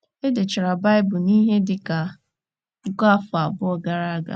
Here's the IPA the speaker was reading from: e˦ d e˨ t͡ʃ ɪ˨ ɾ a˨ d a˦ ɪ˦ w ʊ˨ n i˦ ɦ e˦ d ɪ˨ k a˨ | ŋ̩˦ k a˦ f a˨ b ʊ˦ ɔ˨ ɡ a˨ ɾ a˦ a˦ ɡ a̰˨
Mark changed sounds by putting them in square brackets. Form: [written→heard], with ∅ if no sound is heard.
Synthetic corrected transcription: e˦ d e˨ t͡ʃ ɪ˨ ɾ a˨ [d→b] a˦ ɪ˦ [w→b] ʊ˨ n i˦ ɦ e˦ d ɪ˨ k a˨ | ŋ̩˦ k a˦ f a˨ b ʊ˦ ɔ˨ ɡ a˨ ɾ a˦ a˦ ɡ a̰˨